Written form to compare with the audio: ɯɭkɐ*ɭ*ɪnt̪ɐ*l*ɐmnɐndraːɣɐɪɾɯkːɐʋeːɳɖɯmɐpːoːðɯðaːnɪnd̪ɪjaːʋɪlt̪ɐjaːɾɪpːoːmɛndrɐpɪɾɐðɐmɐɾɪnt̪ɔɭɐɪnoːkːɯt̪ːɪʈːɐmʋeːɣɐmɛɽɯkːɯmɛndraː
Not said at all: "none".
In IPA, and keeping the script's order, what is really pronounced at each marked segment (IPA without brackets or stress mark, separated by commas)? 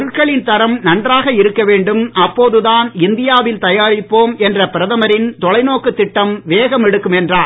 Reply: ɭ, ɾ